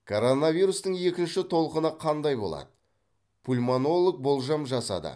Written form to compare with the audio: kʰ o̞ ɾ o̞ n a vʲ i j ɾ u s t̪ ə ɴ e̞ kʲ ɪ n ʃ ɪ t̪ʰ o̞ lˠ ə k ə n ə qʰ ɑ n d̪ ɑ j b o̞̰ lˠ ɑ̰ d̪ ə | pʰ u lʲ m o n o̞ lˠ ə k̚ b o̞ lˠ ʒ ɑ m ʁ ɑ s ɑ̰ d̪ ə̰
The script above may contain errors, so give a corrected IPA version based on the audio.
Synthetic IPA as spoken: kʰ o̞ ɾ o̞ n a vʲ i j ɾ u s t̪ ə ɴ e̞ kʲ ɪ n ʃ ɪ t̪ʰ o̞ lˠ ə q ə n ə qʰ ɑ n d̪ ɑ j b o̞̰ lˠ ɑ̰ d̪ ə | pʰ u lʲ m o n o̞ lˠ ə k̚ b o̞ lˠ ʒ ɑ m ʒ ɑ s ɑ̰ d̪ ə̰